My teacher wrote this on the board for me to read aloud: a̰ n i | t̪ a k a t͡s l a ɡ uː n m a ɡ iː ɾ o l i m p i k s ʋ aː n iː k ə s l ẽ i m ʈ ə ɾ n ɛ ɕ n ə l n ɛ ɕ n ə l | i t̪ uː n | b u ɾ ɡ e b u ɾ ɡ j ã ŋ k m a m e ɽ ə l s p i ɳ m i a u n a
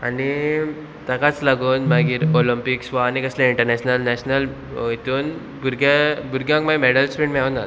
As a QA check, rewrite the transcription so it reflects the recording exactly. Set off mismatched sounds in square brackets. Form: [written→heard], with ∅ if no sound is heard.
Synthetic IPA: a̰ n i | t̪ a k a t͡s l a ɡ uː n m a ɡ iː ɾ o l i m p i k s ʋ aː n [iː→i] k ə s l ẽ i [m→ɳ] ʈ ə ɾ n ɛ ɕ n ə l n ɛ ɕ n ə l | i t̪ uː n | b u ɾ ɡ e b u ɾ ɡ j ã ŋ k m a m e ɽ ə l s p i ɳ m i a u n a